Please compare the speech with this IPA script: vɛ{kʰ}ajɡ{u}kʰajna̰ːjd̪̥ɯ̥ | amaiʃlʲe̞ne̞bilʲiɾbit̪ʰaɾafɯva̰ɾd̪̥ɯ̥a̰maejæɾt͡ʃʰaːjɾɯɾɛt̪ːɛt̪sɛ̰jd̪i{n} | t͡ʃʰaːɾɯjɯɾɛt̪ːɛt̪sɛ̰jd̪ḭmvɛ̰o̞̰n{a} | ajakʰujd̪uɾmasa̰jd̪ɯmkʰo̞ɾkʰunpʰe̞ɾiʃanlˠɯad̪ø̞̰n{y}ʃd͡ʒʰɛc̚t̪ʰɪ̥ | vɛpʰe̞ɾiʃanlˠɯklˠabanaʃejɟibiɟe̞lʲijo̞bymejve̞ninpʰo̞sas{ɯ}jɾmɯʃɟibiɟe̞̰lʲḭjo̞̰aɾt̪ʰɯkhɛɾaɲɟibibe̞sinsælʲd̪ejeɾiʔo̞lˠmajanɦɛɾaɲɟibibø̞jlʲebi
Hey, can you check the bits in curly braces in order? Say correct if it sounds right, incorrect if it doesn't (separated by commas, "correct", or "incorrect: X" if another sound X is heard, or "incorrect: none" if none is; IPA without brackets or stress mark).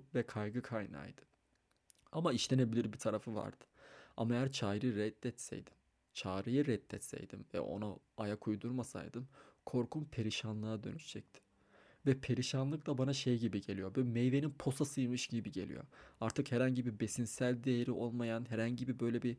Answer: correct, incorrect: ɯ, incorrect: m, correct, correct, correct